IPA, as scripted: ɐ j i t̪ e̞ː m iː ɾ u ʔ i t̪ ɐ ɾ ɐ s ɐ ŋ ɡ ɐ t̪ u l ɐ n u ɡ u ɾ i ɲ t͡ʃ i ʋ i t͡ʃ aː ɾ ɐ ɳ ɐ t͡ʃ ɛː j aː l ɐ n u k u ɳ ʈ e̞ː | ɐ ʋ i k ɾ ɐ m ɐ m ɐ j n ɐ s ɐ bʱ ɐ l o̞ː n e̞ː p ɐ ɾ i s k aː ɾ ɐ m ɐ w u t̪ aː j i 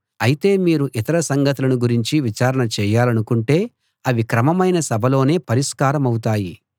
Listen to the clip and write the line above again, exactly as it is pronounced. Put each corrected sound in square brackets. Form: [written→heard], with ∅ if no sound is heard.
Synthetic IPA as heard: ɐ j i t̪ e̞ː m iː ɾ u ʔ i t̪ ɐ ɾ ɐ s ɐ ŋ ɡ ɐ t̪ u l ɐ n u ɡ u ɾ i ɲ t͡ʃ i ʋ i t͡ʃ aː ɾ ɐ ɳ ɐ t͡ʃ ɛː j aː l ɐ n u k u ɳ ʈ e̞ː | ɐ ʋ i k ɾ ɐ m ɐ m ɐ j n ɐ s ɐ bʱ ɐ l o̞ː n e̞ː p ɐ ɾ i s k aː ɾ ɐ m ɐ w u t̪ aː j i

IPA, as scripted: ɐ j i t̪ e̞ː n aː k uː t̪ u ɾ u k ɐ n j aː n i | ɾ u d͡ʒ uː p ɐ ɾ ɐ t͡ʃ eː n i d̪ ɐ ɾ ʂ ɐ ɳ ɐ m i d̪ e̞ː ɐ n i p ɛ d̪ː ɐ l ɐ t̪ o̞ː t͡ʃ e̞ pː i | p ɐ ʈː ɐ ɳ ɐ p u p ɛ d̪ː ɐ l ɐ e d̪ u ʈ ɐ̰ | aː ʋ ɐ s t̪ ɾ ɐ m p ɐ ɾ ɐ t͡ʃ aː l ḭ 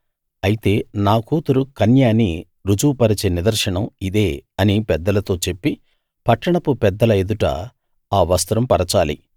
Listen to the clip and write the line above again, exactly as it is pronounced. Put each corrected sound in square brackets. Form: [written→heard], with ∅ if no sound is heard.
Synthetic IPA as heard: ɐ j i t̪ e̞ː n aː k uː t̪ u ɾ u k ɐ n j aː n i | ɾ u d͡ʒ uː p ɐ ɾ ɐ t͡ʃ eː n i d̪ ɐ ɾ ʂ ɐ ɳ ɐ m i d̪ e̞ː ɐ n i p ɛ d̪ː ɐ l ɐ t̪ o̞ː t͡ʃ e̞ pː i | p ɐ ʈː ɐ ɳ ɐ p u p ɛ d̪ː ɐ l ɐ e d̪ u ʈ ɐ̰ | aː ʋ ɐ s t̪ ɾ ɐ m p ɐ ɾ ɐ t͡ʃ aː l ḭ

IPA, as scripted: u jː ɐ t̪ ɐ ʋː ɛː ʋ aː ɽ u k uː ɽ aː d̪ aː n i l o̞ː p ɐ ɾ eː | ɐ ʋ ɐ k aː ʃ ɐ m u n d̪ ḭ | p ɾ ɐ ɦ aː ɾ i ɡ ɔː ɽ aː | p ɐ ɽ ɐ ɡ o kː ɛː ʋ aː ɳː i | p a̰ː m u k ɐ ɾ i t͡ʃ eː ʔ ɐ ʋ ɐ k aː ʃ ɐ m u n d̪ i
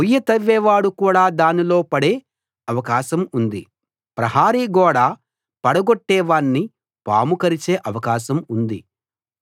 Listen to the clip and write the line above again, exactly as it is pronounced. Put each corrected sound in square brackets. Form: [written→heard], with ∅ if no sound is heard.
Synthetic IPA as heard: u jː ɐ t̪ ɐ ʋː ɛː ʋ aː ɽ u k uː ɽ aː d̪ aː n i l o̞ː p ɐ [ɾ→ɽ] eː | ɐ ʋ ɐ k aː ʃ ɐ m u n d̪ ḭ | p ɾ ɐ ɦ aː ɾ i ɡ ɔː ɽ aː | p ɐ ɽ ɐ ɡ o [kː→ʈː] ɛː ʋ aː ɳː i | p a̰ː m u k ɐ ɾ i t͡ʃ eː ʔ ɐ ʋ ɐ k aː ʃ ɐ m u n d̪ i

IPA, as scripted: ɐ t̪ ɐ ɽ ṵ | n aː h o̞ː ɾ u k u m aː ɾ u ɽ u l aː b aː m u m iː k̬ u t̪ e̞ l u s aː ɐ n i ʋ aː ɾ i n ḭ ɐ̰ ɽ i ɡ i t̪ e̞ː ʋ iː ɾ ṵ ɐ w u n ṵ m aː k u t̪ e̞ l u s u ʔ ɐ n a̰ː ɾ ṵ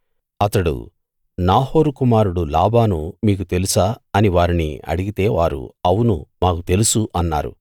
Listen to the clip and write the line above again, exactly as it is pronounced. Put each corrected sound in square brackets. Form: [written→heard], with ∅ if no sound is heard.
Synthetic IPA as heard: ɐ t̪ ɐ ɽ ṵ | n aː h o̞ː ɾ u k u m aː ɾ u ɽ u l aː b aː [m→n] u m iː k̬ u t̪ e̞ l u s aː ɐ n i ʋ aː ɾ i n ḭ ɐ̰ ɽ i ɡ i t̪ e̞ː ʋ [iː→aː] ɾ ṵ ɐ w u n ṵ m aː k u t̪ e̞ l u s u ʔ ɐ [n→nː] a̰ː ɾ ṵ

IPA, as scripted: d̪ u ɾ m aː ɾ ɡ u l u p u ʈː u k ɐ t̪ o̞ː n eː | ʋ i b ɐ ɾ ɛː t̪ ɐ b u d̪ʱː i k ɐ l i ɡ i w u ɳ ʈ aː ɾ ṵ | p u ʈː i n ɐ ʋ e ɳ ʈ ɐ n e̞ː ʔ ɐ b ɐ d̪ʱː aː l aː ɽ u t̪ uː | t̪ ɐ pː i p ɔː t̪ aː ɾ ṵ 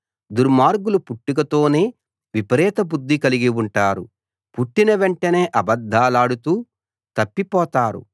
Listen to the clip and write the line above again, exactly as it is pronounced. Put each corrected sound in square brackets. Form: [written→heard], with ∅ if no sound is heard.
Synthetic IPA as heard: d̪ u ɾ m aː ɾ ɡ u l u p u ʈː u k ɐ t̪ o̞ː n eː | ʋ i [b→p] ɐ ɾ ɛː t̪ ɐ b u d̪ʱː i k ɐ l i ɡ i w u ɳ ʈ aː ɾ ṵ | p u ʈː i n ɐ ʋ e ɳ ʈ ɐ n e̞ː ʔ ɐ b ɐ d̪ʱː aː l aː ɽ u t̪ uː | t̪ ɐ pː i p ɔː t̪ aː ɾ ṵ

